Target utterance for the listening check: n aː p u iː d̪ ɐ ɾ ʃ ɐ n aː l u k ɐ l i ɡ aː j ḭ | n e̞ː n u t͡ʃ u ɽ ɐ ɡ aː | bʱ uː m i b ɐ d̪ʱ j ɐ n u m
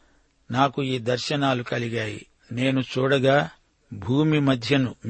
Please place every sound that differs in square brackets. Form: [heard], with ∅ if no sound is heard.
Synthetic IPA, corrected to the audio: n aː [k] u iː d̪ ɐ ɾ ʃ ɐ n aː l u k ɐ l i ɡ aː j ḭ | n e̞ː n u t͡ʃ [uː] ɽ ɐ ɡ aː | bʱ uː m i [m] ɐ d̪ʱ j ɐ n u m